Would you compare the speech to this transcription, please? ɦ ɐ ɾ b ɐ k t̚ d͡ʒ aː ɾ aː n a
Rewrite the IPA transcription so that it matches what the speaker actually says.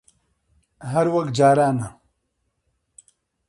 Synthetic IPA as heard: ɦ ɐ ɾ w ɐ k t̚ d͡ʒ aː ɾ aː n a